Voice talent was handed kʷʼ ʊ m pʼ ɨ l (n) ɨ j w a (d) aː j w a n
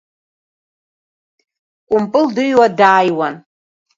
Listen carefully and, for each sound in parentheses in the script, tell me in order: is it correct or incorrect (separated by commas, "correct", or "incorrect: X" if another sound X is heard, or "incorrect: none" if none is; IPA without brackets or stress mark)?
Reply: incorrect: d, correct